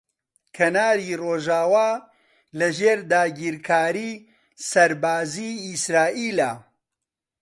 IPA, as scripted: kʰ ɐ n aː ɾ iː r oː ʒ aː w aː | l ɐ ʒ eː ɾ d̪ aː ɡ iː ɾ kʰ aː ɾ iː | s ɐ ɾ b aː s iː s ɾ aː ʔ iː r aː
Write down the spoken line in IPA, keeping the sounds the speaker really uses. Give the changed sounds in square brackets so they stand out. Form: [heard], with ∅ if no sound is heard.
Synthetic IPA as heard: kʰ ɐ n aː ɾ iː r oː ʒ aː w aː | l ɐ ʒ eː ɾ d̪ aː ɡ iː ɾ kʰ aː ɾ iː | s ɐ ɾ b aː [z] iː s ɾ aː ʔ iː [l] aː